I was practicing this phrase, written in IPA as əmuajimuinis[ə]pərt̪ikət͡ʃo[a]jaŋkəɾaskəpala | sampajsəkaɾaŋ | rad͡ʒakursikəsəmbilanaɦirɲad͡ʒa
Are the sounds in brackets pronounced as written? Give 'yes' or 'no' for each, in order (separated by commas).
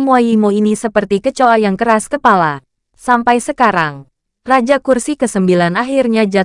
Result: yes, yes